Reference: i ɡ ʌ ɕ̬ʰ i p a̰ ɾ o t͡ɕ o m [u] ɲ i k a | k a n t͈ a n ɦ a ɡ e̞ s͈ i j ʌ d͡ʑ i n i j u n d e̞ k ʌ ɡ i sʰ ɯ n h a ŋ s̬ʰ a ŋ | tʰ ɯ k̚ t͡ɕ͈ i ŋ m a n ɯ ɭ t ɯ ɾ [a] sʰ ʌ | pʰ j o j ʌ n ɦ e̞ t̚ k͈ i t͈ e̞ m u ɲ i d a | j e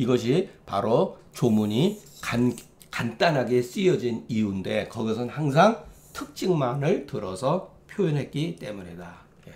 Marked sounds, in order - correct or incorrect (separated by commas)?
correct, incorrect